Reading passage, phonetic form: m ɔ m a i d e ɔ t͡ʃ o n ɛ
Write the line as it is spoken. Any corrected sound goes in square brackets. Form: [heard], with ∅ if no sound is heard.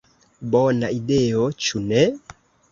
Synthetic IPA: [b] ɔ [n] a i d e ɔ t͡ʃ [u] n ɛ

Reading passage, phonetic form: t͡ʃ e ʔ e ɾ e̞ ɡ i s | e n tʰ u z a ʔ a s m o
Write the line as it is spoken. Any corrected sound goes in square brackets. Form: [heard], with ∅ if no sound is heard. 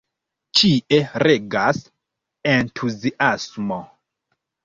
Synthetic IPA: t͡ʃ [i] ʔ e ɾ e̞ ɡ [a] s | e n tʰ u z [i] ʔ a s m o

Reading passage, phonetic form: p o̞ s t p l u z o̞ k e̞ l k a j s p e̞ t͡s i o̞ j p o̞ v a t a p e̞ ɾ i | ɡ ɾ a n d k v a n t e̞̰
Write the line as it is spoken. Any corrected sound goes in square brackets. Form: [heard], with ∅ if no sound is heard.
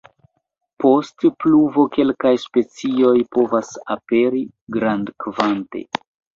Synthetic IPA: p o̞ s t p l u [v] o̞ k e̞ l k a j s p e̞ t͡s i o̞ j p o̞ v a [s] a p e̞ ɾ i | ɡ ɾ a n d k v a n t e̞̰

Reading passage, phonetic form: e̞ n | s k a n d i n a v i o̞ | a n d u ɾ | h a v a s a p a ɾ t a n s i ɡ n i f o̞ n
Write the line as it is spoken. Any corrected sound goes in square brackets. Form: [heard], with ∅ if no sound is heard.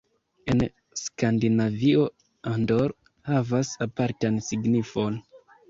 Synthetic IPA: e̞ n | s k a n d i n a v i o̞ | a n d [o] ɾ | h a v a s a p a ɾ t a n s i ɡ n i f o̞ n

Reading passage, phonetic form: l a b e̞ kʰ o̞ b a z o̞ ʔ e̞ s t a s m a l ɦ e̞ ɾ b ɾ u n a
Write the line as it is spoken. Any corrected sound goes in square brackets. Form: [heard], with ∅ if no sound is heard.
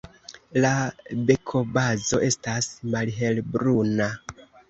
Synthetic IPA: l a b e̞ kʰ o̞ b a z o̞ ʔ e̞ s t a s m a l ɦ e̞ [l] b ɾ u n a

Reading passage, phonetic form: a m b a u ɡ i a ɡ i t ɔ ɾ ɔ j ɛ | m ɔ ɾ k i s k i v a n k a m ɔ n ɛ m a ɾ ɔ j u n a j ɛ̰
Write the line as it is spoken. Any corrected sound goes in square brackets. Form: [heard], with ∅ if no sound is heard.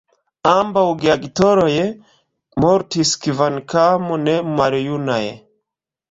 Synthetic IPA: a m b a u ɡ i a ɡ i t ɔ ɾ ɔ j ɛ | m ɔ ɾ [t] i s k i v a n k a m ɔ n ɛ m a ɾ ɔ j u n a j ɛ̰

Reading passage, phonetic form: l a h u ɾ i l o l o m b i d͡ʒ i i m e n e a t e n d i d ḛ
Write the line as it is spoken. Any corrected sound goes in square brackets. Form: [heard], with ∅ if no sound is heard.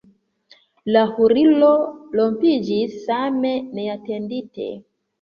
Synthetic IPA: l a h u ɾ i l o l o m [p] i d͡ʒ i [a] m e n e a t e n d i [t] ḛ

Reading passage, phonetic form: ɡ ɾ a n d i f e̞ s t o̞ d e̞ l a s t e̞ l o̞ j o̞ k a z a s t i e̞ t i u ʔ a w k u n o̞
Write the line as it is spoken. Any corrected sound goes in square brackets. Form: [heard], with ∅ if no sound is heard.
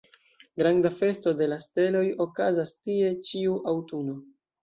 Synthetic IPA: ɡ ɾ a n d [a] f e̞ s t o̞ d e̞ l a s t e̞ l o̞ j o̞ k a z a s t i e̞ [t͡ʃ] i u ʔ a w [t] u n o̞

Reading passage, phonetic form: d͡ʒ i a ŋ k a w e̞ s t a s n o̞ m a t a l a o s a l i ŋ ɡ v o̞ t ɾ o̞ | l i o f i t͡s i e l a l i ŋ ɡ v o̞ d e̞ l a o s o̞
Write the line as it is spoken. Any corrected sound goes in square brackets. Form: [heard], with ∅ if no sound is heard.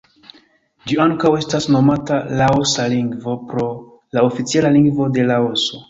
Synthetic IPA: d͡ʒ i a ŋ k a w e̞ s t a s n o̞ m a t a l a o s a l i ŋ ɡ v o̞ [p] ɾ o̞ | l [a] o f i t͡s i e l a l i ŋ ɡ v o̞ d e̞ l a o s o̞

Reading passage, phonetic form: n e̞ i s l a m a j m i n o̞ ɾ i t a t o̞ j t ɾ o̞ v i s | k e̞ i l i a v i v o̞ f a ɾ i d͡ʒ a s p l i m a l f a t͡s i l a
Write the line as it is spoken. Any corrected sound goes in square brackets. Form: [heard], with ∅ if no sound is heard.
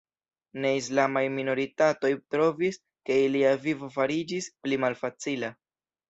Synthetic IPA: n e̞ i s l a m a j m i n o̞ ɾ i t a t o̞ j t ɾ o̞ v i s | k e̞ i l i a v i v o̞ f a ɾ i d͡ʒ [i] s p l i m a l f a t͡s i l a

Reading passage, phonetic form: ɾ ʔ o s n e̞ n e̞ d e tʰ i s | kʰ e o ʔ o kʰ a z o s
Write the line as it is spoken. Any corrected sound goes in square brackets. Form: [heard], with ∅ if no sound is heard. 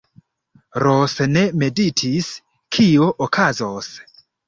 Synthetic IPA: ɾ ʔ o s n e̞ [m] e̞ d [i] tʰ i s | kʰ [i] o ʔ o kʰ a z o s

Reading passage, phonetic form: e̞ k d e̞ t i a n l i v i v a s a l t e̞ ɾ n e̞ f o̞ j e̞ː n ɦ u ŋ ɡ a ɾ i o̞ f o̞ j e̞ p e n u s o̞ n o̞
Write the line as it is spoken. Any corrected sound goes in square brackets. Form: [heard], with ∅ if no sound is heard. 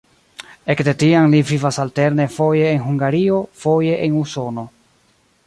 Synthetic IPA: e̞ k d e̞ t i a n l i v i v a s a l t e̞ ɾ n e̞ f o̞ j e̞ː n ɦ u ŋ ɡ a ɾ i o̞ f o̞ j e̞ [ʔ] e n u s o̞ n o̞

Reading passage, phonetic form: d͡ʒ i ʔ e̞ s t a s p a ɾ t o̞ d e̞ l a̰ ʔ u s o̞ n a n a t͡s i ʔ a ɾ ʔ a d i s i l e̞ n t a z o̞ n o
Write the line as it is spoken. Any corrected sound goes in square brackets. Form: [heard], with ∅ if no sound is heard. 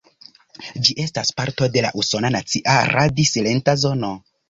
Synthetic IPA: d͡ʒ i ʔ e̞ s t a s p a ɾ t o̞ d e̞ l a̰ ʔ u s o̞ n a n a t͡s i ʔ a ɾ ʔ a d i s i l e̞ n t a z o̞ n o

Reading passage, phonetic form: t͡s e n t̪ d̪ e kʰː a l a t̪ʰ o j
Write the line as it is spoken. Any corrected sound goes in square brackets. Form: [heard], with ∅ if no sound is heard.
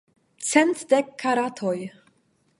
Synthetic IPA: t͡s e n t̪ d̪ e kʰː a [ɾ] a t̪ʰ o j

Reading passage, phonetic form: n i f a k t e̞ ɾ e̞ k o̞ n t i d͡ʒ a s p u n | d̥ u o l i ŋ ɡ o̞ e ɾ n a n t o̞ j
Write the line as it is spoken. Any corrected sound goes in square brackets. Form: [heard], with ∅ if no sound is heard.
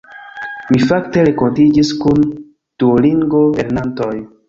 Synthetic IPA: [m] i f a k t e̞ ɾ e̞ k o̞ n t i d͡ʒ [i] s [k] u n | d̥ u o l i ŋ ɡ o̞ e ɾ n a n t o̞ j

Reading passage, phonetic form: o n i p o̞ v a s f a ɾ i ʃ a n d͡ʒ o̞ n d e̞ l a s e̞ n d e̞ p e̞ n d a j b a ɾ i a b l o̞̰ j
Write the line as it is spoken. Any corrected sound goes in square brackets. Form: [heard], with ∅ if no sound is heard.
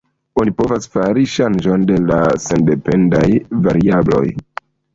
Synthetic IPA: o n i p o̞ v a s f a ɾ i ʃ a n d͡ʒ o̞ n d e̞ l a s e̞ n d e̞ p e̞ n d a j [v] a ɾ i a b l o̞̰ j

